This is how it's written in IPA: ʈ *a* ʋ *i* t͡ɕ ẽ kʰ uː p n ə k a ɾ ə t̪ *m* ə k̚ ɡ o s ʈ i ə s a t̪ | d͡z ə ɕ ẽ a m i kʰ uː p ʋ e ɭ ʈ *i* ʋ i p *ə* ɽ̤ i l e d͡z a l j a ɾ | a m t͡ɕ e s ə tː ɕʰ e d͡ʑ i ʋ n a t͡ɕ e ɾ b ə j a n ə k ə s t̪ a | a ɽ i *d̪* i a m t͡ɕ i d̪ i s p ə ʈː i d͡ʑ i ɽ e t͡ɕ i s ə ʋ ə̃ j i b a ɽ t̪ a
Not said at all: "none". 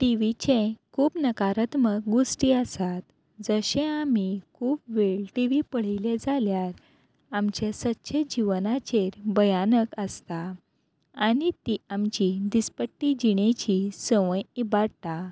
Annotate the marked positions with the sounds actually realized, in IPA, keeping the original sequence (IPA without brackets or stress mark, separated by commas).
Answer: i, i, m, i, ə, t̪